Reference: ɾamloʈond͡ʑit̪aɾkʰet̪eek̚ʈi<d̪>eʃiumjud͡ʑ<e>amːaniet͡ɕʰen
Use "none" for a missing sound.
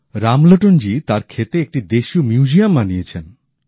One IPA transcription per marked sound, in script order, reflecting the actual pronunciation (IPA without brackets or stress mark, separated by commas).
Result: d̪, i